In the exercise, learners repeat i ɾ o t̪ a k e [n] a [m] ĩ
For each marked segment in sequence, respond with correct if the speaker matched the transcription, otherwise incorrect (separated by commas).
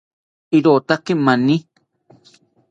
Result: incorrect, incorrect